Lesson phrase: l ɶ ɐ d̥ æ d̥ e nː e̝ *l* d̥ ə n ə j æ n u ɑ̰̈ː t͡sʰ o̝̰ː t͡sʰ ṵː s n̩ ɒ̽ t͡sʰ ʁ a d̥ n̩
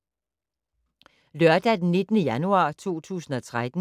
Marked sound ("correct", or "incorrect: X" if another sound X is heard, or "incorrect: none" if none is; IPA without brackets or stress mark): incorrect: none